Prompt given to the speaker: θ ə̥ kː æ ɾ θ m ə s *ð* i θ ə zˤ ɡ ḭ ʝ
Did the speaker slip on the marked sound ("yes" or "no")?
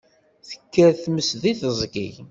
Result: no